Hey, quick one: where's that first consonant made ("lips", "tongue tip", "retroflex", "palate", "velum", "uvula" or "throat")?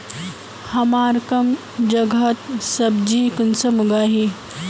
throat